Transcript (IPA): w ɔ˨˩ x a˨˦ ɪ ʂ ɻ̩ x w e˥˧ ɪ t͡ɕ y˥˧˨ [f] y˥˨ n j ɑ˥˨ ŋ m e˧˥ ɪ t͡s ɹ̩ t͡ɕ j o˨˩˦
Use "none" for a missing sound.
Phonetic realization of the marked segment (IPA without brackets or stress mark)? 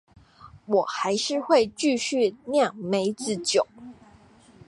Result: ɕ